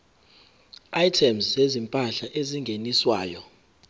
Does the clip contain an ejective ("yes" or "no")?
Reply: yes